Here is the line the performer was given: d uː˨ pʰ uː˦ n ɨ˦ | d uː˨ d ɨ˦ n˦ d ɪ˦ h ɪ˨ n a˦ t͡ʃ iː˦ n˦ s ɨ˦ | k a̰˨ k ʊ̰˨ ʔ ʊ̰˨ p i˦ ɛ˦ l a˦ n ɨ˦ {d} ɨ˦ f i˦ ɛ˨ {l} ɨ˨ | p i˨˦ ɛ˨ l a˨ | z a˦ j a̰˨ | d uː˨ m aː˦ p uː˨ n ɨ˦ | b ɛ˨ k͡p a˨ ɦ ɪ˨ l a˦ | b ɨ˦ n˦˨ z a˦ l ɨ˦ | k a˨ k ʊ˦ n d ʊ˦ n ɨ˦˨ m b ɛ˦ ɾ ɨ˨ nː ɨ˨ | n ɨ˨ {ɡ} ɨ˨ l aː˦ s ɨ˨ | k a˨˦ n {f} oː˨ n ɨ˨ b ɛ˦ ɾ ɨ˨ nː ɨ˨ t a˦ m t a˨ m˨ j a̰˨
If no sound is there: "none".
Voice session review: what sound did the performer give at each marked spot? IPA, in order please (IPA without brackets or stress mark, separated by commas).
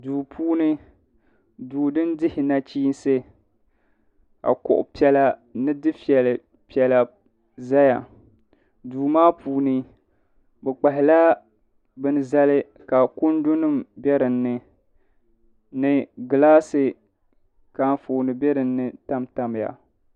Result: d, l, ɡ, f